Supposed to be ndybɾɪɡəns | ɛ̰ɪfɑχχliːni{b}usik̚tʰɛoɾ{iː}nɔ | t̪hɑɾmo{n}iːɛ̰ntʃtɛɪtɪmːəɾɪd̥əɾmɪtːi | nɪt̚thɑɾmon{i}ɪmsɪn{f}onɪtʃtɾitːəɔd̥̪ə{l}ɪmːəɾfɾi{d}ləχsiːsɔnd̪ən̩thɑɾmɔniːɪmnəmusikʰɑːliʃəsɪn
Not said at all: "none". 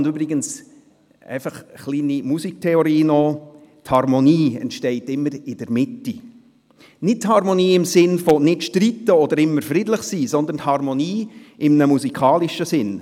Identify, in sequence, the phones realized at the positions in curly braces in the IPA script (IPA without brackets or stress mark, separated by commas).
m, iː, n, iː, f, ɾ, d